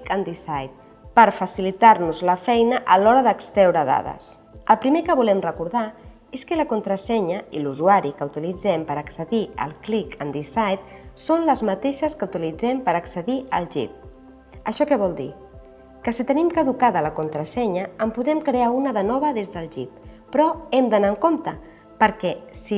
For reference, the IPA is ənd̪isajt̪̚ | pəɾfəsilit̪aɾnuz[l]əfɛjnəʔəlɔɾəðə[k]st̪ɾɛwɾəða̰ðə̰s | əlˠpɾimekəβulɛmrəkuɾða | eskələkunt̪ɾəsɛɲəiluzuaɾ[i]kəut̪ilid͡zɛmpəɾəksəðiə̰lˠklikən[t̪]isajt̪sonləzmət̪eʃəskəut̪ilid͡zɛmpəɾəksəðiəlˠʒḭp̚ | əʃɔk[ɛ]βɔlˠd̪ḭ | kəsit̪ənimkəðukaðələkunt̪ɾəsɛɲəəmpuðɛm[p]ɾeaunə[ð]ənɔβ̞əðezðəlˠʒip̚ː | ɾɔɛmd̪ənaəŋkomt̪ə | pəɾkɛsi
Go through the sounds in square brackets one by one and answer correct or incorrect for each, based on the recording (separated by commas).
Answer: correct, correct, correct, incorrect, correct, incorrect, correct